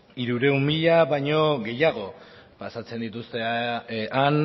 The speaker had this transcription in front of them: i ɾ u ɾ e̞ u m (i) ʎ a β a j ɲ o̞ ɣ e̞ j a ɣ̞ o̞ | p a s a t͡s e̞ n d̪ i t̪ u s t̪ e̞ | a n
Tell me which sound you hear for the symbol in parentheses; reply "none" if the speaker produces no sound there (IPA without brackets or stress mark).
i